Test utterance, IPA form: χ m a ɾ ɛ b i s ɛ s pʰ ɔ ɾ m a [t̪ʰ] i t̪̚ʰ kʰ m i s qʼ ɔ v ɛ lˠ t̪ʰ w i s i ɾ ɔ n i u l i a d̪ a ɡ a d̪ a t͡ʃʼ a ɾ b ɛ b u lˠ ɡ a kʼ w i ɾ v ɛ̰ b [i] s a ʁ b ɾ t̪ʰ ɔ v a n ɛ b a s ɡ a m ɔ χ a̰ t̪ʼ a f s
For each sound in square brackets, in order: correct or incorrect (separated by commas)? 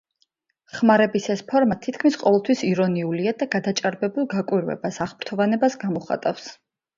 correct, incorrect